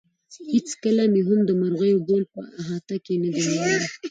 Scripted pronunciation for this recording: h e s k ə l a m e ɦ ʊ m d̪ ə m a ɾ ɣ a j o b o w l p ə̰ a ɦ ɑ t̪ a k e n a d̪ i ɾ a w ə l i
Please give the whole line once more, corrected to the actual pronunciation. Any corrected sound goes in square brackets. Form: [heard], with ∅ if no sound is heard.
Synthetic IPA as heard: h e [t͡s] k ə l a m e ɦ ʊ m d̪ ə m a ɾ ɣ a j o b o [∅] l p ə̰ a ɦ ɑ t̪ a k e n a d̪ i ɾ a w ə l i